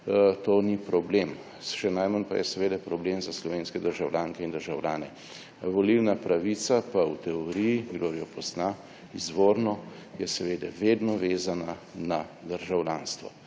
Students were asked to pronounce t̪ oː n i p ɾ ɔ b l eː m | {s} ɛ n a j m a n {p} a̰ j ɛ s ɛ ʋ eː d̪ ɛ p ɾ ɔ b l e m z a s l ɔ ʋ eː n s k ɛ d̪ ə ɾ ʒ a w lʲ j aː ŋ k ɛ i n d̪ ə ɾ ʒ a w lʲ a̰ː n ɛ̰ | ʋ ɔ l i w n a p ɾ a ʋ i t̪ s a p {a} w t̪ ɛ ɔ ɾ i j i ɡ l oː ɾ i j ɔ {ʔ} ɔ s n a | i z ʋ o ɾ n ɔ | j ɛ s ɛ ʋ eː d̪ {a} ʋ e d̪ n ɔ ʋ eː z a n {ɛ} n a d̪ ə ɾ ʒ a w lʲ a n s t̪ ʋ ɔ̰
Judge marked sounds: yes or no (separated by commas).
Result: no, yes, yes, no, no, no